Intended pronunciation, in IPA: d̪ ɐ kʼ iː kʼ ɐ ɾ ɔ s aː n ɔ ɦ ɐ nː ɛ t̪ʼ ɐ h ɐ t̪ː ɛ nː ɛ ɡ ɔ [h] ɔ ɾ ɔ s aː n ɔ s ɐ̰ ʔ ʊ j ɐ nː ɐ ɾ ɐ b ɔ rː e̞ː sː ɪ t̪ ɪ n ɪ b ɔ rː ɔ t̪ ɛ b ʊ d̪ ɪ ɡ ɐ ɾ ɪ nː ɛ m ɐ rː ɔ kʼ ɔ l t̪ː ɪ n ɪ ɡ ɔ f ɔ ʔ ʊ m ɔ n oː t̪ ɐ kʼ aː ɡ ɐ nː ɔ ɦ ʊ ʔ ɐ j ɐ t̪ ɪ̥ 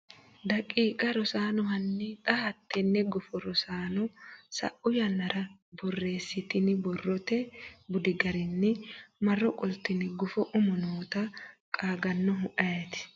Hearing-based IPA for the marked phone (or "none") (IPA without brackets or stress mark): f